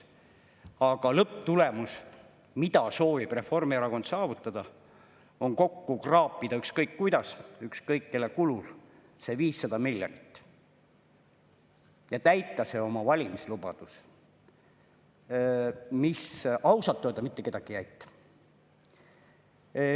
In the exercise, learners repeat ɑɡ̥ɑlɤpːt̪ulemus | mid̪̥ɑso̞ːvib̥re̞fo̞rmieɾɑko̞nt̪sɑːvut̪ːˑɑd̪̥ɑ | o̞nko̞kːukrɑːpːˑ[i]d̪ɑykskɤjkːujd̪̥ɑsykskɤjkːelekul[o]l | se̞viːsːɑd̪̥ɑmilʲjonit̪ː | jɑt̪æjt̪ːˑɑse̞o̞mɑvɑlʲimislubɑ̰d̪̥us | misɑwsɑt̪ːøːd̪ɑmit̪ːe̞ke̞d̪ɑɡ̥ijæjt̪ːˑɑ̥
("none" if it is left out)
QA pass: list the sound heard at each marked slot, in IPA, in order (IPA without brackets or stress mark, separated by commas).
i, u